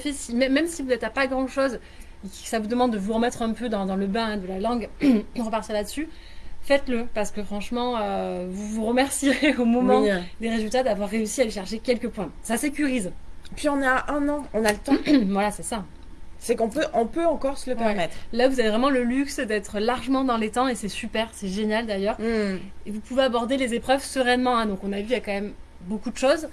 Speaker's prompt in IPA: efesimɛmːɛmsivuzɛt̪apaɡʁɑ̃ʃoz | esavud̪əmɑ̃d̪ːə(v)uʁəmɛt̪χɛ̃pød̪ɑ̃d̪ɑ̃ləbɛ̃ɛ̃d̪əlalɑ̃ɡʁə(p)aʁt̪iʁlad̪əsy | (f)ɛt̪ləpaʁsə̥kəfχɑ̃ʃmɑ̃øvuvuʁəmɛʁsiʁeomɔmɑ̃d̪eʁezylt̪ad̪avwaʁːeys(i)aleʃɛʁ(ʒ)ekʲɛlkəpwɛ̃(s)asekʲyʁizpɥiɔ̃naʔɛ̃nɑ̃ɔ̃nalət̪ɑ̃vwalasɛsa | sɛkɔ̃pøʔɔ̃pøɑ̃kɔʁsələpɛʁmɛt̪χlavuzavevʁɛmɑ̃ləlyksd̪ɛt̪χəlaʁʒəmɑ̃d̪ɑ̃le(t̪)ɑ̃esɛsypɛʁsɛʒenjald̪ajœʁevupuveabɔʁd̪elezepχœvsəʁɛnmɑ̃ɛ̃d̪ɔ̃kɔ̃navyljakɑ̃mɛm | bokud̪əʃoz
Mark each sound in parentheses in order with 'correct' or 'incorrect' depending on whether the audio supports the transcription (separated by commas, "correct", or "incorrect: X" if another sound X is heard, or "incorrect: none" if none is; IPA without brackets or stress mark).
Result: correct, correct, correct, correct, incorrect: ʃ, correct, correct